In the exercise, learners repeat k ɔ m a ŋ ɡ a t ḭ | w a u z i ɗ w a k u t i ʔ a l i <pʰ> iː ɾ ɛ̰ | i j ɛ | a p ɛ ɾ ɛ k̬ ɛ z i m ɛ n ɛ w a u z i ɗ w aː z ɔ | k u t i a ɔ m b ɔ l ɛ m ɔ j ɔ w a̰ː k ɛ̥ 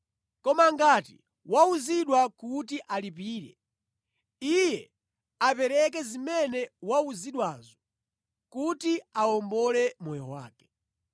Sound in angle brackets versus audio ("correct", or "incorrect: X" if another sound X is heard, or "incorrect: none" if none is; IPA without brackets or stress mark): incorrect: p